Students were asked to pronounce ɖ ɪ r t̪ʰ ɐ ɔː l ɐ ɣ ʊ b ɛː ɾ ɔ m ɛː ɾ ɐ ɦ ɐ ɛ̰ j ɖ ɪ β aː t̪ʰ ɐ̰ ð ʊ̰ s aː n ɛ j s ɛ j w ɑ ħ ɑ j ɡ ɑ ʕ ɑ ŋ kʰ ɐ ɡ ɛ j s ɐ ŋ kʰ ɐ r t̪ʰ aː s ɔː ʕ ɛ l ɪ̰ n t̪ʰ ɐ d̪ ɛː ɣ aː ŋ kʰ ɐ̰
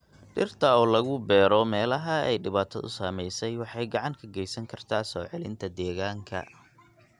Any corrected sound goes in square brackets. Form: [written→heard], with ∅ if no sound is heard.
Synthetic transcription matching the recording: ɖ ɪ r t̪ʰ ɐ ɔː l ɐ ɣ ʊ b ɛː ɾ ɔ m ɛː [ɾ→l] ɐ ɦ ɐ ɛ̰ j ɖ ɪ β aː t̪ʰ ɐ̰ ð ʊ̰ s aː [n→m] ɛ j s ɛ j w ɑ ħ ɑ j ɡ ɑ ʕ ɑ ŋ kʰ ɐ ɡ ɛ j s ɐ ŋ kʰ ɐ r t̪ʰ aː s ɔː ʕ ɛ l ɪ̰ n t̪ʰ ɐ d̪ ɛː ɣ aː ŋ kʰ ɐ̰